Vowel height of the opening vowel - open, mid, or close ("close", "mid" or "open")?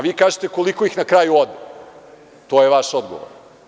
close